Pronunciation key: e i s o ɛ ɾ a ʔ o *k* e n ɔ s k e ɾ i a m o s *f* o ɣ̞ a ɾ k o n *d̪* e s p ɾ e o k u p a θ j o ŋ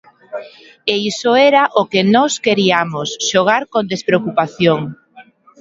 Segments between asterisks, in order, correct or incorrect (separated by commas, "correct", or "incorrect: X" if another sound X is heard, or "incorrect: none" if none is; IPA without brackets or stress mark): correct, incorrect: ʃ, correct